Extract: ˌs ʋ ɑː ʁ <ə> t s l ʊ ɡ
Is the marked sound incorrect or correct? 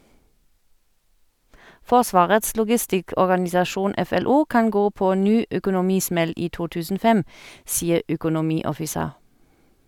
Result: correct